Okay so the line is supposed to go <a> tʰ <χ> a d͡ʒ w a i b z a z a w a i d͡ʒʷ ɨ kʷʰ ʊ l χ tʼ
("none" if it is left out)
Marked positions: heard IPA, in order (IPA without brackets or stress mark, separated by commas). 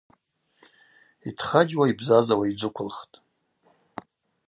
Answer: i, χ